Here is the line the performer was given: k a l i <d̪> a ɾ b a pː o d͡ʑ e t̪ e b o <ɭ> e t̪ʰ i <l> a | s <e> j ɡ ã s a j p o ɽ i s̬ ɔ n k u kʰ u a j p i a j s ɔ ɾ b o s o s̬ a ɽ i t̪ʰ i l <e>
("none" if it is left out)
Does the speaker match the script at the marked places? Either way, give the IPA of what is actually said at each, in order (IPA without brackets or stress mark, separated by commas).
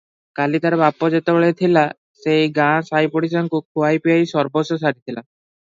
t̪, ɭ, l, e, a